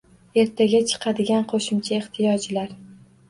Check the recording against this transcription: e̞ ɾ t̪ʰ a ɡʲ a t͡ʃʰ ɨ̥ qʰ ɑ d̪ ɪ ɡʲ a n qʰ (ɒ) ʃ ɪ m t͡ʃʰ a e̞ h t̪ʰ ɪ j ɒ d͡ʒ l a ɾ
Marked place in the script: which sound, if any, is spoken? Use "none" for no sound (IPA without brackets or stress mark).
o